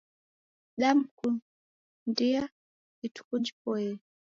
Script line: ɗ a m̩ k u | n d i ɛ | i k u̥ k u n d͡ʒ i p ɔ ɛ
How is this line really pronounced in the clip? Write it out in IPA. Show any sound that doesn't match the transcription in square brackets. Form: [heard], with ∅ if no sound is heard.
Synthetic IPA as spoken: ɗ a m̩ k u | n d i [a] | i [t] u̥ k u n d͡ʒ i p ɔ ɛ